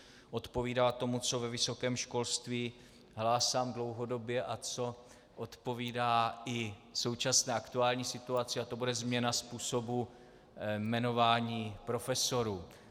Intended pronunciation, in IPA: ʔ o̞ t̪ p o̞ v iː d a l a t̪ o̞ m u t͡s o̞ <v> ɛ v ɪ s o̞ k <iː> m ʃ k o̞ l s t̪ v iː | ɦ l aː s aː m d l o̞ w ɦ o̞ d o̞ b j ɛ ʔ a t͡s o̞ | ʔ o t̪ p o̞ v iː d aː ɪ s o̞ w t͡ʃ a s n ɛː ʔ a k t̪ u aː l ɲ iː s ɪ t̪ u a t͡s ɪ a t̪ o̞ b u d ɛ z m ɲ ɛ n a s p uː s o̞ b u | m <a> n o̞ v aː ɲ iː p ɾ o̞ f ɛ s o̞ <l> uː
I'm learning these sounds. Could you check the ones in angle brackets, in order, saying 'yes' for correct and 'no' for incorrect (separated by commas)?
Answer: yes, no, no, no